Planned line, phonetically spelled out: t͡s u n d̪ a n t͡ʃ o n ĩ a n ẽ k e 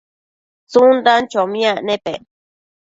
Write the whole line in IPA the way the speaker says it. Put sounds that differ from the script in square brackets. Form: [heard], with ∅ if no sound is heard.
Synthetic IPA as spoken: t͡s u n d̪ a n t͡ʃ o [m] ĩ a n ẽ [p] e